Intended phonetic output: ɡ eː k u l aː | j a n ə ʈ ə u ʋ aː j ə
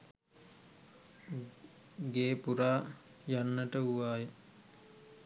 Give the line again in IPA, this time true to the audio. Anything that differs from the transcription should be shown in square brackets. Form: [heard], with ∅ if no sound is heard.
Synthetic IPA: ɡ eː [p] u [ɾ] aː | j a [nː] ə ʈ ə u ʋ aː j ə